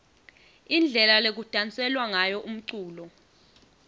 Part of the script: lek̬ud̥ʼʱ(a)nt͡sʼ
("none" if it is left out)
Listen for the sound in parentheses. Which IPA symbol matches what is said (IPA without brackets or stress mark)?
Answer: a